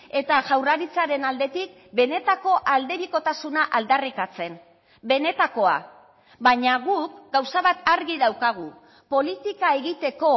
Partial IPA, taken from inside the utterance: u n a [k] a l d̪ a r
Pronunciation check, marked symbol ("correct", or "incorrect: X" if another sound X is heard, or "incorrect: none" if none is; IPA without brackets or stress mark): incorrect: ʔ